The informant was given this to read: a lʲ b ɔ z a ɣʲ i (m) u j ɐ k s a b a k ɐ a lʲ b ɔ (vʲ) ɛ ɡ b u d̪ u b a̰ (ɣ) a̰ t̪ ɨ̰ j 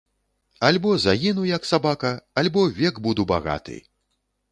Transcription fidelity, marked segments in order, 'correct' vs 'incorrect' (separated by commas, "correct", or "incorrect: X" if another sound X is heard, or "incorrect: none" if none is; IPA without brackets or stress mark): incorrect: n, correct, correct